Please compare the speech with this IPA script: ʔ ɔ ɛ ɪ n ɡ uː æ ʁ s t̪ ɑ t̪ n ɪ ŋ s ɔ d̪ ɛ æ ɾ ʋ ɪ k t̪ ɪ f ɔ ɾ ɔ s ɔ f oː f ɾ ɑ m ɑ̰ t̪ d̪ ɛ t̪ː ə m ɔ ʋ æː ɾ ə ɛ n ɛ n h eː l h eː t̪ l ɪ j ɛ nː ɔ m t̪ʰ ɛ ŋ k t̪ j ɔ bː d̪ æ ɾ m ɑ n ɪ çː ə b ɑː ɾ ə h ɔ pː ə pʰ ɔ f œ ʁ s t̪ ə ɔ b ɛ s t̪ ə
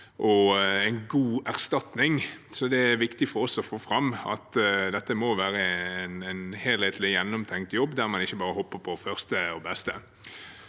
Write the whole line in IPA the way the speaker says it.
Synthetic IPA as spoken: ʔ ɔ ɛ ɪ n ɡ uː æ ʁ s t̪ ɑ t̪ n ɪ ŋ s ɔ d̪ ɛ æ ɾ ʋ ɪ k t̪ ɪ f ɔ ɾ ɔ s ɔ f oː f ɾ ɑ m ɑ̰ t̪ d̪ ɛ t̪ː ə m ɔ ʋ æː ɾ ə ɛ n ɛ n h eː l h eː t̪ l ɪ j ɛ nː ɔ m t̪ʰ ɛ ŋ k t̪ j ɔ bː d̪ æ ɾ m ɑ n ɪ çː ə b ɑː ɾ ə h ɔ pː ə pʰ ɔ f œ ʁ s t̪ ə ɔ b ɛ s t̪ ə